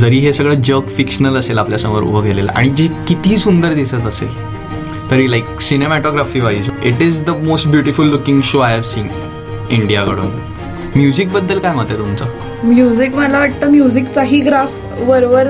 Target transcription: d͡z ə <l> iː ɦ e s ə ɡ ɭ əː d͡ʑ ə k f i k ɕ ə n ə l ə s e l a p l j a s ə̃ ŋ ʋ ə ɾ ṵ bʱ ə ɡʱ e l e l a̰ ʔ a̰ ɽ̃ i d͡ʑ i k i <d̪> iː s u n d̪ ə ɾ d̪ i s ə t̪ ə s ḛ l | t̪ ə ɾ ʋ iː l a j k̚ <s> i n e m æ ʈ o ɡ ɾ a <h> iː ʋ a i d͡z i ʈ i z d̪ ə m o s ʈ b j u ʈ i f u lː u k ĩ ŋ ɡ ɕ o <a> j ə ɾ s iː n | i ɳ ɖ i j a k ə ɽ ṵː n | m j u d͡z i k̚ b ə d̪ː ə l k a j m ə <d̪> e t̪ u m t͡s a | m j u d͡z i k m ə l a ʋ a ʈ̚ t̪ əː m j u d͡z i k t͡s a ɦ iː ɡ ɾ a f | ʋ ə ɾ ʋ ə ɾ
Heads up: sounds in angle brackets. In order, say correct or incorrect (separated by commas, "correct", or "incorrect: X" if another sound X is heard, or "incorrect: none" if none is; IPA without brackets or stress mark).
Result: incorrect: ɾ, incorrect: t̪, correct, incorrect: f, correct, incorrect: t̪